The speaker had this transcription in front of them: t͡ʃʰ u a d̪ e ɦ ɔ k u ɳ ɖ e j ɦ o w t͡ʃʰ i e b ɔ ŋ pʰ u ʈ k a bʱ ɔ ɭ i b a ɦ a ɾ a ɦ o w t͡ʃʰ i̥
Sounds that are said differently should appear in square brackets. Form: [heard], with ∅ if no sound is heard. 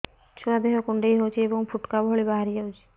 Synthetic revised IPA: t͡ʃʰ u a d̪ e ɦ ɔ k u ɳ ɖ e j ɦ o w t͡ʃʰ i e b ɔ ŋ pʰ u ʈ k a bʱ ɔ ɭ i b a ɦ a ɾ [i] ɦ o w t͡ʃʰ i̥